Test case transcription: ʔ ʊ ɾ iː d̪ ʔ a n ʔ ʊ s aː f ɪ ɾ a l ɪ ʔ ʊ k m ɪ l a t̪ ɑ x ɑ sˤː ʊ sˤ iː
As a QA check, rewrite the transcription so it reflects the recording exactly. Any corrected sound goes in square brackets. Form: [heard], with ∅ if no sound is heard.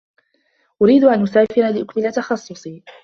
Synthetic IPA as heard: ʔ ʊ ɾ iː d̪ ʔ a n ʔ ʊ s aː f ɪ ɾ a l ɪ ʔ ʊ k m ɪ l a t̪ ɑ x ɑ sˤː ʊ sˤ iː